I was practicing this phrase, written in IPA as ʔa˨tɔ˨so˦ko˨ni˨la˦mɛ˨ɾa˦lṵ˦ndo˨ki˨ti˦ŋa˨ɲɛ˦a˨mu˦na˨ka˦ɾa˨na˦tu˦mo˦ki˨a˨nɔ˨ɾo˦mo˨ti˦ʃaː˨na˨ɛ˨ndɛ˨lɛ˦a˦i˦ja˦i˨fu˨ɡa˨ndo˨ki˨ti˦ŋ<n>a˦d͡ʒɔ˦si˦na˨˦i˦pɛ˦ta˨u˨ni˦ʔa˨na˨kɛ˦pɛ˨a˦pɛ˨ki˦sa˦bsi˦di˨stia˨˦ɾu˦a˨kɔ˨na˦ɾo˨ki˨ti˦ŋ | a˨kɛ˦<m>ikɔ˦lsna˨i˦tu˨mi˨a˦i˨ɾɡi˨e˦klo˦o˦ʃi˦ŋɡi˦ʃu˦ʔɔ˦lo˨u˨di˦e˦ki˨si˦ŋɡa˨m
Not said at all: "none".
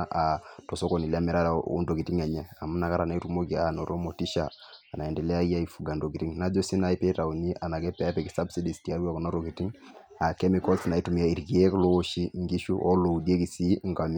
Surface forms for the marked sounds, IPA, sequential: n, m

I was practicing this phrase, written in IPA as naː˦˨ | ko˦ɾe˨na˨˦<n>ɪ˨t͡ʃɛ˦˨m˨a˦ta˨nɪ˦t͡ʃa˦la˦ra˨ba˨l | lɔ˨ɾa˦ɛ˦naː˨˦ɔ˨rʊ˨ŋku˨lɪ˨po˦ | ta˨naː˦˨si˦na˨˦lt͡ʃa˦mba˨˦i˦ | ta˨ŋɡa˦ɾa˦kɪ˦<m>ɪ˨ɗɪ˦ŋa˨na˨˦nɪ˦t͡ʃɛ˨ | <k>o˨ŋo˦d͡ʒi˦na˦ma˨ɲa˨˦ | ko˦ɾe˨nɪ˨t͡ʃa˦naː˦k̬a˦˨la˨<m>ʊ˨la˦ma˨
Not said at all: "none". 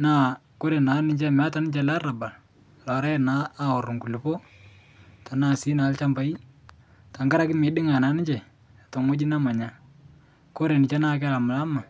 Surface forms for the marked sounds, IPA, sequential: n, m, t, m

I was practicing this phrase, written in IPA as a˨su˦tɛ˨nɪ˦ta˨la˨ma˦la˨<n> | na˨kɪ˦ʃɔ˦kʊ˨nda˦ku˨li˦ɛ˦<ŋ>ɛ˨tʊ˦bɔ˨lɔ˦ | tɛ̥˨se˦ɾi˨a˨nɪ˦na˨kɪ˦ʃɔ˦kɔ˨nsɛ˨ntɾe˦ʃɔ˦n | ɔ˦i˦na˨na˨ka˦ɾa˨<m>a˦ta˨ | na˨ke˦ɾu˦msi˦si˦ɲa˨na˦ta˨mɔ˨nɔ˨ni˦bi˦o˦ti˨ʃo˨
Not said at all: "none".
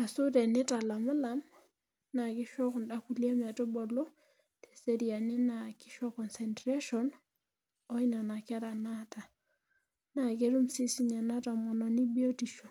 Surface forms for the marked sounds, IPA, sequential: m, m, n

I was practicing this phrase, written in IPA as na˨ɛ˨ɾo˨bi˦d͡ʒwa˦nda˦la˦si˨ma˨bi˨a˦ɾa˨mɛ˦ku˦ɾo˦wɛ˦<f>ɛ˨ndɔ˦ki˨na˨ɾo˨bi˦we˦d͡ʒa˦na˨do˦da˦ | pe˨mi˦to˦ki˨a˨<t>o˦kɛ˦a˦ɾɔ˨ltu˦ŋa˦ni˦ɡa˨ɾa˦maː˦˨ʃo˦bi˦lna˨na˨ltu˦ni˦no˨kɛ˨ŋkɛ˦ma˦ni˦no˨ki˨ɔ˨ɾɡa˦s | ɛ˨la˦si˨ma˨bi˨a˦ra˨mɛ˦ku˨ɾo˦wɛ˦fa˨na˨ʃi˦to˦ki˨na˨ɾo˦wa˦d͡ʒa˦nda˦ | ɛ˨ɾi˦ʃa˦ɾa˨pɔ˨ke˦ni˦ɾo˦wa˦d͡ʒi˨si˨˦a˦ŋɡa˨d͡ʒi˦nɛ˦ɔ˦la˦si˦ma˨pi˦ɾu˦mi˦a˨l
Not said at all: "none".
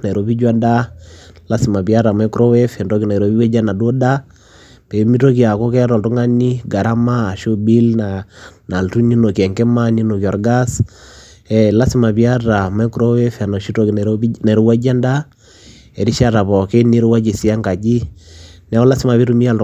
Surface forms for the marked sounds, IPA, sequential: f, k

